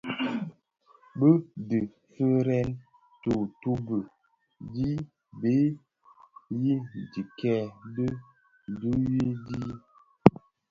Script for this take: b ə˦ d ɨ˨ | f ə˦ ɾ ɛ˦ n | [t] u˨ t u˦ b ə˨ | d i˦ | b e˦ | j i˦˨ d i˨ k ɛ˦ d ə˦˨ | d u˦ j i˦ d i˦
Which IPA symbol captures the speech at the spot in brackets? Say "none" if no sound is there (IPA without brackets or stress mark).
t